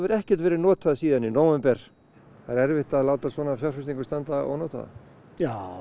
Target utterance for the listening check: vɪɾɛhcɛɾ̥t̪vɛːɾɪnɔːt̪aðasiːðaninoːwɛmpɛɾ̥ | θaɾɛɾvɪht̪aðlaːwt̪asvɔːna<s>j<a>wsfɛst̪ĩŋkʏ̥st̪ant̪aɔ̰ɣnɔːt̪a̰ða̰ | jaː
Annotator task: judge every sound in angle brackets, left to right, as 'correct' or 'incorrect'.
incorrect: f, correct

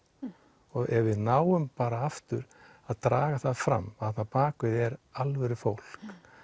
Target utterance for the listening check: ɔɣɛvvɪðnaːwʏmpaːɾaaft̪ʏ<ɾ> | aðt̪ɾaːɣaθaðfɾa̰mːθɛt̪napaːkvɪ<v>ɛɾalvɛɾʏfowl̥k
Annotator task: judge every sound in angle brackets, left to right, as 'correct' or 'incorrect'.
correct, incorrect: ð

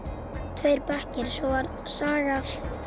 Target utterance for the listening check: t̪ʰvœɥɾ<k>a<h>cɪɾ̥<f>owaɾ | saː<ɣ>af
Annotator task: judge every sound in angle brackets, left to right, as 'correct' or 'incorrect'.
incorrect: p, correct, incorrect: s, correct

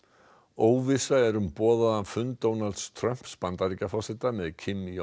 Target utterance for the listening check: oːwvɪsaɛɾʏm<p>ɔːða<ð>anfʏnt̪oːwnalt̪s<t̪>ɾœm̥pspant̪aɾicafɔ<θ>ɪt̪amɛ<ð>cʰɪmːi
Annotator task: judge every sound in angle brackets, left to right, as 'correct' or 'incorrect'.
correct, correct, incorrect: t̪ʰ, incorrect: s, correct

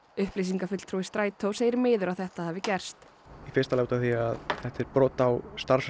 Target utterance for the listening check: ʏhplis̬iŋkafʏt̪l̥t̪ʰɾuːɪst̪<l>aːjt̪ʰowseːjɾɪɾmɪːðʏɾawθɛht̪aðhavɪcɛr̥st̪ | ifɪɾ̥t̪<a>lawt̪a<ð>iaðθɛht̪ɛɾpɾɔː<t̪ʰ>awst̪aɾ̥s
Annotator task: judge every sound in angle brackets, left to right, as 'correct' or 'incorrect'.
incorrect: ɾ, correct, incorrect: θ, incorrect: t̪

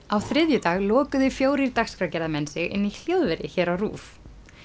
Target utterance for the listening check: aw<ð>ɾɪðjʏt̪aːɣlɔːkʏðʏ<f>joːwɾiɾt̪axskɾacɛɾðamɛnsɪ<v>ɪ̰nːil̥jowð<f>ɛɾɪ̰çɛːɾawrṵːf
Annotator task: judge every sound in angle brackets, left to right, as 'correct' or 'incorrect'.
incorrect: θ, correct, incorrect: ɣ, incorrect: v

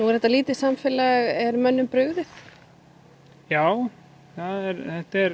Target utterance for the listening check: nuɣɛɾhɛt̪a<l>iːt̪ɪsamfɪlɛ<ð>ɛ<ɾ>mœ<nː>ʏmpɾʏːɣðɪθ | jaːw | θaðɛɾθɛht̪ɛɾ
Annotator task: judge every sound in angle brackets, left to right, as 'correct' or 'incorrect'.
correct, incorrect: ɣ, correct, correct

